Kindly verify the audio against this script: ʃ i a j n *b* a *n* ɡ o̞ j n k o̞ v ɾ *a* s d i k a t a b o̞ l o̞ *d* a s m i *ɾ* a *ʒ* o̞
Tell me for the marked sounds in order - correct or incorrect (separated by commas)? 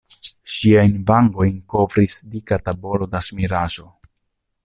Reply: correct, incorrect, incorrect, correct, correct, correct